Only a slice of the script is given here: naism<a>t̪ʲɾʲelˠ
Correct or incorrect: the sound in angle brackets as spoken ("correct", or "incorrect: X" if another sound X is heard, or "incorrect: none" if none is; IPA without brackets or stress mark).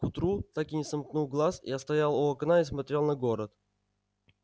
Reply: incorrect: ɐ